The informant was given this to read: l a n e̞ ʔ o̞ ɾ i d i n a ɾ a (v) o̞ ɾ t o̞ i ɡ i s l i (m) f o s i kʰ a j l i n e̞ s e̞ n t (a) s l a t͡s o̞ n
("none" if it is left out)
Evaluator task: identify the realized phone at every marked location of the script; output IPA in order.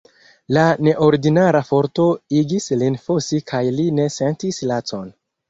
f, n, i

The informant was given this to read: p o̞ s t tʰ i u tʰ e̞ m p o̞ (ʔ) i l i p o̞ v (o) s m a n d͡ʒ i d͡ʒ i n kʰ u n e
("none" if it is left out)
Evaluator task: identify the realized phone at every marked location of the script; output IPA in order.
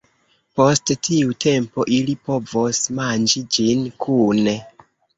ʔ, o

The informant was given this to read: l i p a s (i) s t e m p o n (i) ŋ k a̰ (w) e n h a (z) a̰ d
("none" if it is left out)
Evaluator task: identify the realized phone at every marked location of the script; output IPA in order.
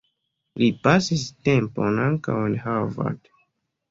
i, a, w, v

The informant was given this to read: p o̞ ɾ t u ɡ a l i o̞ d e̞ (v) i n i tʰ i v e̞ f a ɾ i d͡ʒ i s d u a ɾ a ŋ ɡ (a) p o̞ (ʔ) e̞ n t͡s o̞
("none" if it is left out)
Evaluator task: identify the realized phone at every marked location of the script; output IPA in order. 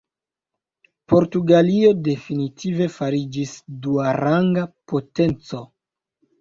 f, a, t

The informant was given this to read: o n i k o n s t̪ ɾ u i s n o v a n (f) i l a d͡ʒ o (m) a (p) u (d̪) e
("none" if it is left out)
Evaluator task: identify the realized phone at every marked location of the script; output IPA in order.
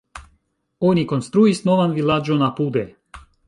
v, n, p, d̪

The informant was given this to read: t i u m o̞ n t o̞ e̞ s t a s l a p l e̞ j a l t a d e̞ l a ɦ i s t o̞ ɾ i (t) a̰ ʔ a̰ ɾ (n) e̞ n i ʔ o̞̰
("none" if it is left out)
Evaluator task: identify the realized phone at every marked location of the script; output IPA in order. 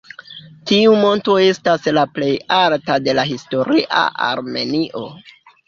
ʔ, m

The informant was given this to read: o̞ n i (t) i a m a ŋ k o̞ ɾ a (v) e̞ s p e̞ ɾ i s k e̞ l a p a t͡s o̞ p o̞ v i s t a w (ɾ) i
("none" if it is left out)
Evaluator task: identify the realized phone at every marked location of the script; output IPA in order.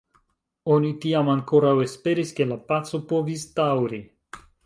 t, w, ɾ

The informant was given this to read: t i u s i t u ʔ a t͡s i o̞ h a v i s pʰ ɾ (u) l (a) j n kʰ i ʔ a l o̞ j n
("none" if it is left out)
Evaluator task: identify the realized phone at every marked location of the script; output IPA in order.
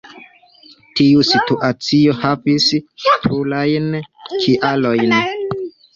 u, a

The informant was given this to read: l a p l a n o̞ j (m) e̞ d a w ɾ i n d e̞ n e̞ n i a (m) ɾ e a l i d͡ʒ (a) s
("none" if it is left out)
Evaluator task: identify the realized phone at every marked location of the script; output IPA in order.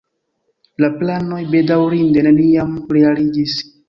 b, m, i

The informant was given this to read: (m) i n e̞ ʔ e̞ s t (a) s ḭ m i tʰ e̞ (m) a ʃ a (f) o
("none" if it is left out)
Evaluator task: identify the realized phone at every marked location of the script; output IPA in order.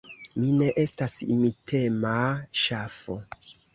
m, a, m, f

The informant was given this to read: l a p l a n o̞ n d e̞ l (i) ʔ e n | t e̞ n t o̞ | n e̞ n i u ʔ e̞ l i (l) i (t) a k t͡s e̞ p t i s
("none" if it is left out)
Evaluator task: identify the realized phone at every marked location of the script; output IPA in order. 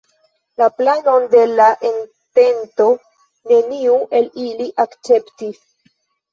a, l, ʔ

